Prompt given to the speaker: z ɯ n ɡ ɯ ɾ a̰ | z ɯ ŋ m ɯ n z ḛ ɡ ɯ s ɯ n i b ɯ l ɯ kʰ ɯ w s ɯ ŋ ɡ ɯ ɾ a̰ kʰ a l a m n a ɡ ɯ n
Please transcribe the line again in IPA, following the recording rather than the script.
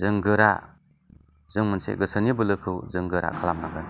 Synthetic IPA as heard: z ɯ ŋ ɡ ɯ ɾ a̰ | z ɯ ŋ m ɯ n s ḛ ɡ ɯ s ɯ n i b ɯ l ɯ kʰ ɯ w z ɯ ŋ ɡ ɯ ɾ a̰ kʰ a l a m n a ɡ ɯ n

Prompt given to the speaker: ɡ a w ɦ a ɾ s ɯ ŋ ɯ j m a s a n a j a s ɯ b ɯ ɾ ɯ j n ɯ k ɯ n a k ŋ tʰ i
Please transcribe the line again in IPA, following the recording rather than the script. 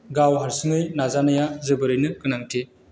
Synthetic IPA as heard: ɡ a w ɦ a ɾ s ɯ ŋ ɯ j n a z a n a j a z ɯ b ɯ ɾ ɯ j n ɯ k ɯ n a ŋ tʰ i

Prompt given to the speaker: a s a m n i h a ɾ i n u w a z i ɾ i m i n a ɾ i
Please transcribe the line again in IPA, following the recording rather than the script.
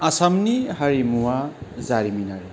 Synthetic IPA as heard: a s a m n i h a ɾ i m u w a z a ɾ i m i n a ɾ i

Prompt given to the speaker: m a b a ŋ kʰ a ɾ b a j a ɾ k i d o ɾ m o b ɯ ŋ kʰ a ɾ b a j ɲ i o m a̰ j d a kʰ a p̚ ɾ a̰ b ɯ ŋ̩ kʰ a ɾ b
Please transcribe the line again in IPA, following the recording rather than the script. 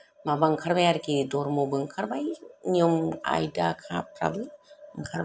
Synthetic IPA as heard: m a b a ŋ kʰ a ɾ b a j a ɾ k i d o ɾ m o b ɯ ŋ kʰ a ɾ b a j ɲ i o m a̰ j d a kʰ a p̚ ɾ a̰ b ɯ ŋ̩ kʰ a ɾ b

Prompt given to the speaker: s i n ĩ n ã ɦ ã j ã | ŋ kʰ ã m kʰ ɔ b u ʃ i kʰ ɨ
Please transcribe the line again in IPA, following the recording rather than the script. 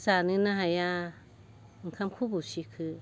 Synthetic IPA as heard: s a n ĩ n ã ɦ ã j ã | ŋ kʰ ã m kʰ u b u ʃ i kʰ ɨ

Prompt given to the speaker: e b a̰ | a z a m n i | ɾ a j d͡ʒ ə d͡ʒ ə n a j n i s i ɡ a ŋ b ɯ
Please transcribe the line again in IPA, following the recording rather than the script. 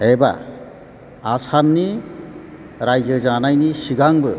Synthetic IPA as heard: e b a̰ | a s a m n i | ɾ a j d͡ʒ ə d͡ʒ a n a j n i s i ɡ a ŋ b ɯ

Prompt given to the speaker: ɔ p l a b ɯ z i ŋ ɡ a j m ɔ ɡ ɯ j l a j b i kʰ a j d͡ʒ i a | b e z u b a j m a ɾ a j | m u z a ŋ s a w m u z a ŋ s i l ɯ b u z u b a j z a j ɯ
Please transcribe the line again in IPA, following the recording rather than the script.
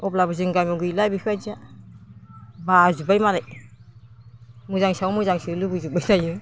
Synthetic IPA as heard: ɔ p l a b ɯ z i ŋ ɡ a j m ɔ ɡ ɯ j l a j b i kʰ a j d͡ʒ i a | b a z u b a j m a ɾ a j | m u z a ŋ s a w m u z a ŋ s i l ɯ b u z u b a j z a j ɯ

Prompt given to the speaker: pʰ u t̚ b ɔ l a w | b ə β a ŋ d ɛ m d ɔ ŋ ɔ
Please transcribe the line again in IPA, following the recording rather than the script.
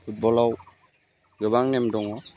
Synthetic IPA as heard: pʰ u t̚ b ɔ l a w | ɡ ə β a ŋ n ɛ m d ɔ ŋ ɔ

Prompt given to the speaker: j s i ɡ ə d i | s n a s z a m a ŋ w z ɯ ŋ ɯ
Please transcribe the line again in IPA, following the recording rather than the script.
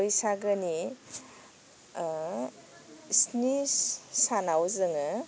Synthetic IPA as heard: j s a ɡ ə n i | s n i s s a n a w z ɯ ŋ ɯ

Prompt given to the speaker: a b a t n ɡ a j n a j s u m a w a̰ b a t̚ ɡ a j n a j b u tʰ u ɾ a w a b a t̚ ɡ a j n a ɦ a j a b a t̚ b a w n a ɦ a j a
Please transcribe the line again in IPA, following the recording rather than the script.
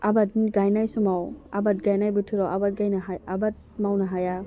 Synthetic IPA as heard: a b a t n ɡ a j n a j s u m a w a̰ b a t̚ ɡ a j n a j b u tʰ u ɾ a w a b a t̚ ɡ a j n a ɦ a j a b a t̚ m a w n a ɦ a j a

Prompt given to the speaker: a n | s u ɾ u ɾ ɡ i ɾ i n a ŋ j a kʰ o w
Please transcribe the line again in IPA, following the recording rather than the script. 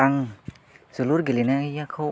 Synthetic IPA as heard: a ŋ | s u l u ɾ ɡ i l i n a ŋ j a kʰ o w

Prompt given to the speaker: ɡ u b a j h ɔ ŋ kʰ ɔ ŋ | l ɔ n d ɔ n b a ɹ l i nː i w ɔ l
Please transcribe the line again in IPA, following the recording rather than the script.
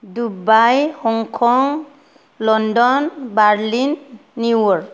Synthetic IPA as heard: d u b a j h ɔ ŋ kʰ ɔ ŋ | l ɔ n d ɔ n b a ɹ l i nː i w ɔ ɹ

